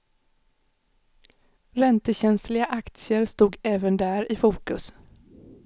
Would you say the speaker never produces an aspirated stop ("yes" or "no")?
yes